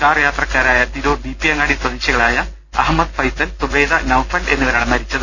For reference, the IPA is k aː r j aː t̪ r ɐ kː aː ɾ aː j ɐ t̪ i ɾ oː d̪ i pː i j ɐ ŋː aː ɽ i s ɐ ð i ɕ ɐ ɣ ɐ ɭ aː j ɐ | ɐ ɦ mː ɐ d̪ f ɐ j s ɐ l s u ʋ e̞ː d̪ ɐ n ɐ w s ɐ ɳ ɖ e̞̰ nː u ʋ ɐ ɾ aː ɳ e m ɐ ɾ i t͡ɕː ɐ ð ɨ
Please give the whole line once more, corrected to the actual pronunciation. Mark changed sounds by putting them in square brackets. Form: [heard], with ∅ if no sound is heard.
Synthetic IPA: k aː r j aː t̪ r ɐ kː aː ɾ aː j ɐ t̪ i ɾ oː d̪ i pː i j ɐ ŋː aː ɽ i s ɐ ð i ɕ ɐ ɣ ɐ ɭ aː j ɐ | ɐ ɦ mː ɐ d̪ f ɐ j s ɐ l s u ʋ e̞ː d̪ ɐ n ɐ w [f] ɐ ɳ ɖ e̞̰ nː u ʋ ɐ ɾ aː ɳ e m ɐ ɾ i t͡ɕː ɐ ð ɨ